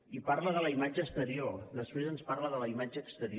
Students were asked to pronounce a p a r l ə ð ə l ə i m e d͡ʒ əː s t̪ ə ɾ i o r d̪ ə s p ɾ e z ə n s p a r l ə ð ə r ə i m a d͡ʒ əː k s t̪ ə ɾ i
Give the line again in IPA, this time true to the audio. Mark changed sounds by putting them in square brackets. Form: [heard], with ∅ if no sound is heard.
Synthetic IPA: [i] p a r l ə ð ə l ə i m [a] d͡ʒ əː s t̪ ə ɾ i o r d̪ ə s p ɾ e z ə n s p a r l ə ð ə [l] ə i m a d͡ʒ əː k s t̪ ə ɾ i